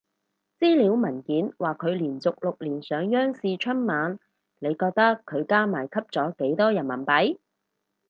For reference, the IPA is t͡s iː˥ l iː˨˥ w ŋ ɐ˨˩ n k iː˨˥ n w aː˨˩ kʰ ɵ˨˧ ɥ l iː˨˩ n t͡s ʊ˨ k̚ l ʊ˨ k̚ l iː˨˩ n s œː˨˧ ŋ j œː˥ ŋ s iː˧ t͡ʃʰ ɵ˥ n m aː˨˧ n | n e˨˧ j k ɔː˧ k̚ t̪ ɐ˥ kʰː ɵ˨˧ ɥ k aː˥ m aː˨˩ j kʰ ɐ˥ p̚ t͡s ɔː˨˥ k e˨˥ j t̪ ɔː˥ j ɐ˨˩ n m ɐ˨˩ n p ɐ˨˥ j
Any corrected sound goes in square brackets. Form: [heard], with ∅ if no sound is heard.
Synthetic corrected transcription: t͡s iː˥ l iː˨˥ w [m] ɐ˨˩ n k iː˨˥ n w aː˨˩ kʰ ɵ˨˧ ɥ l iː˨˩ n t͡s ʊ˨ k̚ l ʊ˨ k̚ l iː˨˩ n s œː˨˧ ŋ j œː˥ ŋ s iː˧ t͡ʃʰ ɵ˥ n m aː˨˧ n | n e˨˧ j k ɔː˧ k̚ t̪ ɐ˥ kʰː ɵ˨˧ ɥ k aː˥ m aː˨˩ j kʰ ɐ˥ p̚ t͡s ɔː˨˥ k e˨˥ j t̪ ɔː˥ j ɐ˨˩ n m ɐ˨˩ n p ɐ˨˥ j